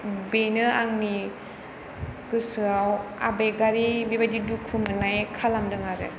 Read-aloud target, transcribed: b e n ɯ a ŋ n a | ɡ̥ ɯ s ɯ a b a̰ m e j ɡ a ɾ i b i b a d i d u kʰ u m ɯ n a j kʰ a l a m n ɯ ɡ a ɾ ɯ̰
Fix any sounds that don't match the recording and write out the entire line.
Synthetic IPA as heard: b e n ɯ a ŋ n i | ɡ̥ ɯ s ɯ a w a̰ b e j ɡ a ɾ i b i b a d i d u kʰ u m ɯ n a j kʰ a l a m d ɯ ŋ a ɾ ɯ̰